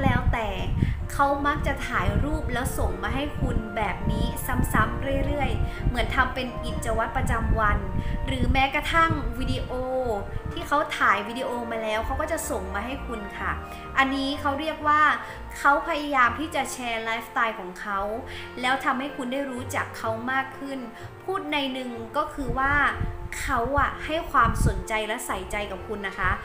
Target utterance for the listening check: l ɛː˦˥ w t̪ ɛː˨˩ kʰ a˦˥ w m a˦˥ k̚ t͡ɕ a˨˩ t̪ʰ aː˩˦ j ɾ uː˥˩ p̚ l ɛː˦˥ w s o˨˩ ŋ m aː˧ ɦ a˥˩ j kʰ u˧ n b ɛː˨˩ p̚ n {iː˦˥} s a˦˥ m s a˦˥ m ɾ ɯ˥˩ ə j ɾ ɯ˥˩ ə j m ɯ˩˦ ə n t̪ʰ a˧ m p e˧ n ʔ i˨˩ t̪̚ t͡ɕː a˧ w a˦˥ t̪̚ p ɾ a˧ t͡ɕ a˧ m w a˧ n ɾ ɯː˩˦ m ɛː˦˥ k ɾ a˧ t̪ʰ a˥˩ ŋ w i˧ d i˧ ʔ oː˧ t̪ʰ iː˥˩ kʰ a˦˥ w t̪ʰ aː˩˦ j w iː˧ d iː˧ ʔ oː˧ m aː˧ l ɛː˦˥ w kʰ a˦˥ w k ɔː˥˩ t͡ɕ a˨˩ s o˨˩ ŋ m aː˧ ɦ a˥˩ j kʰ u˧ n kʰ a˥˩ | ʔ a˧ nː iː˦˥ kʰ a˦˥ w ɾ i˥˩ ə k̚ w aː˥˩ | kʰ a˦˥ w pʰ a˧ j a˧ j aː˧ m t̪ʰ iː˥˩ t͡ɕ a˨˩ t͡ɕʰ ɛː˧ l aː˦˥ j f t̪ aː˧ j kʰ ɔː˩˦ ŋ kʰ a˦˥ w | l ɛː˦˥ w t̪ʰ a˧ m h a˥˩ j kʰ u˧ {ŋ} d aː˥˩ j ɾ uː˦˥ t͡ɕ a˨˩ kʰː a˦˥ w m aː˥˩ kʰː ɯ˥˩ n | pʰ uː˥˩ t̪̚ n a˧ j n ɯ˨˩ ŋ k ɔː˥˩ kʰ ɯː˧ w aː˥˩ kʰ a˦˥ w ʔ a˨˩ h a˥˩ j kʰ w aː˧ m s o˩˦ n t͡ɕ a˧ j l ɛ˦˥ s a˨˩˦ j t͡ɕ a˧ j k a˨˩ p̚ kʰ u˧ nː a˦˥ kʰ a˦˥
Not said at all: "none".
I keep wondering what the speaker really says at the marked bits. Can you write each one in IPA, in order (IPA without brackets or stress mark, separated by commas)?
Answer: iː˦˥, n